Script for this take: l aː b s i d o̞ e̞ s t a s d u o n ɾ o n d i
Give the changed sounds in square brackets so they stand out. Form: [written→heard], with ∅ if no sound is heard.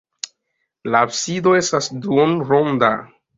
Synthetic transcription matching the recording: l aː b s i d o̞ e̞ s t a s d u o n ɾ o n d [i→a]